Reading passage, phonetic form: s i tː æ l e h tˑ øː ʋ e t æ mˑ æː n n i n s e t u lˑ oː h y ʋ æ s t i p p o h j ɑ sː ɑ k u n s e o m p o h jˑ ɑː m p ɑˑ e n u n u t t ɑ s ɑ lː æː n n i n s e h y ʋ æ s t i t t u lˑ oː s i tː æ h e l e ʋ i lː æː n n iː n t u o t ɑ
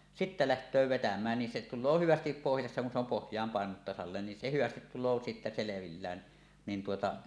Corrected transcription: s i tː æ l æ h tˑ øː ʋ e t æ mˑ æː n n i n s e t u lˑ oː h y ʋ æ s t i p p o h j ɑ sː ɑ k u n s e o m p o h jˑ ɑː m p ɑˑ e n u n u t t ɑ s ɑ lː eː n n i n s e h y ʋ æ s t i t t u lˑ oː s i tː æ s e l e ʋ i lː æː n n iː n t u o t ɑ